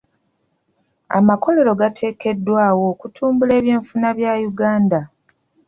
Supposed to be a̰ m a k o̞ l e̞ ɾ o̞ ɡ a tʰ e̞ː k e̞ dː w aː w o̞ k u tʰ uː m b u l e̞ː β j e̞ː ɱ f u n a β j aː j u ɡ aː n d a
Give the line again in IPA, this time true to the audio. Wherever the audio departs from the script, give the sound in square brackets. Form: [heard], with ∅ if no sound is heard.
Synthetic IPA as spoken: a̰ m a k o̞ l e̞ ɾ o̞ ɡ a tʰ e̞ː k e̞ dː w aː w o̞ k u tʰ uː m b u l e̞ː β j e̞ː ɱ f u n a β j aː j u ɡ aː n d a